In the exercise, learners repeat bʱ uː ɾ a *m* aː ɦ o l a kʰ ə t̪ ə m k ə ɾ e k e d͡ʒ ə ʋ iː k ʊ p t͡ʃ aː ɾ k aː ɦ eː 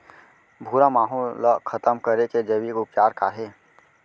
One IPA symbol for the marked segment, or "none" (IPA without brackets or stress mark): m